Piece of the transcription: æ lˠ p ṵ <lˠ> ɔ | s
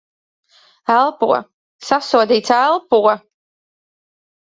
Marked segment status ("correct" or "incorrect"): incorrect